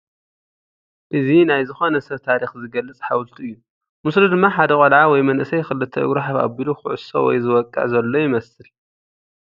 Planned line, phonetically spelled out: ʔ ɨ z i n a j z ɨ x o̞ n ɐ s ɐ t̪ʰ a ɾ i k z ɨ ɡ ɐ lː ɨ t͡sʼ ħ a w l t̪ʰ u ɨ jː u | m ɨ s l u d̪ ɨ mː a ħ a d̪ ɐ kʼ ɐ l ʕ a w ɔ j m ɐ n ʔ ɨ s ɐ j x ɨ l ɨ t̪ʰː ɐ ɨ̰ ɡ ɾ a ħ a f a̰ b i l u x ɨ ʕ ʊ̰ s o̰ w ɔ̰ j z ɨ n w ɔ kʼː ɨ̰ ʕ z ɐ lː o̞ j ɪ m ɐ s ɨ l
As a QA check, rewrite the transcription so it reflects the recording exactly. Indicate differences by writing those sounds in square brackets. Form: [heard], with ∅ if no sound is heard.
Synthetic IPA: ʔ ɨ z i n a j z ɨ x o̞ n ɐ s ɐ t̪ʰ a ɾ i [x] z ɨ ɡ ɐ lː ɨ t͡sʼ ħ a w l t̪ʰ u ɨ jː u | m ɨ s l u d̪ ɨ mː a ħ a d̪ ɐ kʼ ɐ l ʕ a w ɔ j m ɐ n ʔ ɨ s ɐ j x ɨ l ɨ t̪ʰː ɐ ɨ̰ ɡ ɾ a ħ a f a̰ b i l u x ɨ ʕ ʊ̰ s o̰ w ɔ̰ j z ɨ [∅] w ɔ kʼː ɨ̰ ʕ z ɐ lː o̞ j ɪ m ɐ s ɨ l